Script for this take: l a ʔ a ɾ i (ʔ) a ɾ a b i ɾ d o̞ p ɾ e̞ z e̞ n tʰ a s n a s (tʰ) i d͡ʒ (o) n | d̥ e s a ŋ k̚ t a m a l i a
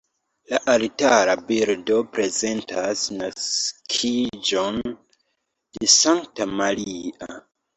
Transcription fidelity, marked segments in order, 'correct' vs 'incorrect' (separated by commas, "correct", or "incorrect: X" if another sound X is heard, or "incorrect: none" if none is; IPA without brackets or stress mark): incorrect: t, incorrect: kʰ, correct